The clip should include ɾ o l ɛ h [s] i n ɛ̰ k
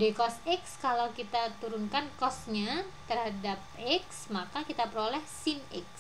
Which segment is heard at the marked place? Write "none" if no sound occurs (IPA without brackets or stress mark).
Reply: s